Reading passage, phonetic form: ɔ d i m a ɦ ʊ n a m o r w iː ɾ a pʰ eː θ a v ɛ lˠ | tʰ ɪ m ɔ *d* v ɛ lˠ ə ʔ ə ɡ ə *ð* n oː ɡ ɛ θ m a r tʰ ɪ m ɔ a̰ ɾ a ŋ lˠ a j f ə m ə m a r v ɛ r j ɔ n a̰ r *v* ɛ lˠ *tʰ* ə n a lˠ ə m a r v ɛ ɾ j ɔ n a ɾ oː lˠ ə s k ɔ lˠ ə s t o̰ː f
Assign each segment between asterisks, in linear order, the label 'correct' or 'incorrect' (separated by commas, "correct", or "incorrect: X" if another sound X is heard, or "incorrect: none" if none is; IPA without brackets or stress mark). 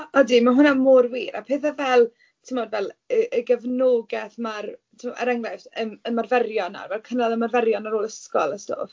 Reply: correct, incorrect: v, correct, incorrect: kʰ